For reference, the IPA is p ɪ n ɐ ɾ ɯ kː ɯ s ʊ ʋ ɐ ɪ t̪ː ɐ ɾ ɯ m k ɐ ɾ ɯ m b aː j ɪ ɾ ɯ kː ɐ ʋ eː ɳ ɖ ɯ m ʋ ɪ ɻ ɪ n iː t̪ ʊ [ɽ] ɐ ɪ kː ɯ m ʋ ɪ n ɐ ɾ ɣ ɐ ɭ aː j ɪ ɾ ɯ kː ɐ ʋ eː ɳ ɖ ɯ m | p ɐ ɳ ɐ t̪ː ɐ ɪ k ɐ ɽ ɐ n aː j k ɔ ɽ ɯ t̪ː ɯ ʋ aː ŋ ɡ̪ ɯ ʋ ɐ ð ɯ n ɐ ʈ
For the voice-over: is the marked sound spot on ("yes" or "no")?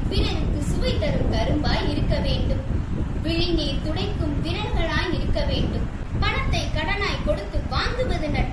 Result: yes